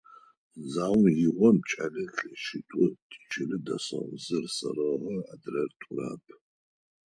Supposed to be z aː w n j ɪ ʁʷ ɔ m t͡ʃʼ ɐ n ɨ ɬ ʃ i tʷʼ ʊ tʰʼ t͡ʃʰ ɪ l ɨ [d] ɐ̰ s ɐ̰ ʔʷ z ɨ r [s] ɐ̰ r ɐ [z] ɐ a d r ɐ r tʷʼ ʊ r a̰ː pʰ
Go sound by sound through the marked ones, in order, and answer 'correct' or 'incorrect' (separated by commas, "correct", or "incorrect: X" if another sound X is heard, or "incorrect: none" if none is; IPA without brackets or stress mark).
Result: correct, correct, incorrect: ʁ